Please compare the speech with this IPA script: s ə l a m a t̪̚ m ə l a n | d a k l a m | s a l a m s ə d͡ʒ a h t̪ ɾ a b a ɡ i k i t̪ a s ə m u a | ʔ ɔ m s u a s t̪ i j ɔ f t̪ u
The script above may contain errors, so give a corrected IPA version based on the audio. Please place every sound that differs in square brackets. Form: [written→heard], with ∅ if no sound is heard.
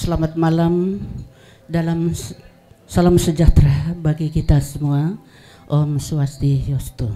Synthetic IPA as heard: s ə l a m a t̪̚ m [ə→a] l a [n→m] | d a [k→∅] l a m | s a l a m s ə d͡ʒ a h t̪ ɾ a b a ɡ i k i t̪ a s ə m u a | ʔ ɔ m s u a s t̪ i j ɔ [f→s] t̪ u